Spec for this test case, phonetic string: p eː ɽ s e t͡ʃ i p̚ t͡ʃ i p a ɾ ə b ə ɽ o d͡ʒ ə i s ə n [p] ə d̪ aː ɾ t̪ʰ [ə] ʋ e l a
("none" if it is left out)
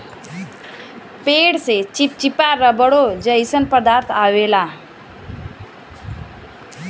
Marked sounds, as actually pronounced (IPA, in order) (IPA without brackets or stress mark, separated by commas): p, a